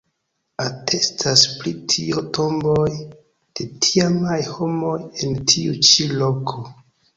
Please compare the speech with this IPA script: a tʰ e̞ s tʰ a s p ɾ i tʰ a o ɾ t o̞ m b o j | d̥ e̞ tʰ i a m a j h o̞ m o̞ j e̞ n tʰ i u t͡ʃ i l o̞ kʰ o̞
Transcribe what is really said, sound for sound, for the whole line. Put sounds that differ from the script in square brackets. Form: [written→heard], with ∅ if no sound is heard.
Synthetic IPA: a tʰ e̞ s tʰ a s p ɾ i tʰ [a→i] o [ɾ→∅] t o̞ m b o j | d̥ e̞ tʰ i a m a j h o̞ m o̞ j e̞ n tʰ i u t͡ʃ i l o̞ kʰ o̞